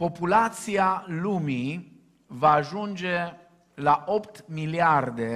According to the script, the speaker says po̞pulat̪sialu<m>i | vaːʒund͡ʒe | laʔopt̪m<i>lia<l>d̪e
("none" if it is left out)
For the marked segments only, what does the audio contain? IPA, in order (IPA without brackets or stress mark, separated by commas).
m, i, r